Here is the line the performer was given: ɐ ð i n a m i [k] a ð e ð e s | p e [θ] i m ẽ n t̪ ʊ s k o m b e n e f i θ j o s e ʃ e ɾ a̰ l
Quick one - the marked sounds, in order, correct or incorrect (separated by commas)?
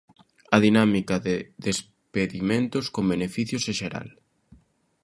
correct, incorrect